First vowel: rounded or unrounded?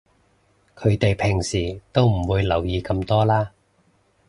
rounded